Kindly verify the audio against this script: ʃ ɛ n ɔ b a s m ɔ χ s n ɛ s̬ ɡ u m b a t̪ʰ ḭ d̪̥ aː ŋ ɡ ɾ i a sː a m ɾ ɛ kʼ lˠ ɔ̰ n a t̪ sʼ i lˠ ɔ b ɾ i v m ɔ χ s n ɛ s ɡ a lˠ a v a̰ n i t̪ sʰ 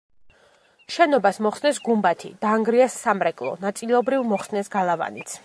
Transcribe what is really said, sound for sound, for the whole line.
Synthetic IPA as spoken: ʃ ɛ n ɔ b a s m ɔ χ s n ɛ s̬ ɡ u m b a t̪ʰ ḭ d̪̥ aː ŋ ɡ ɾ i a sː a m ɾ ɛ kʼ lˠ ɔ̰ n a t̪ sʼ i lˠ ɔ b ɾ i v m ɔ χ s n ɛ s ɡ a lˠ a v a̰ n i t̪ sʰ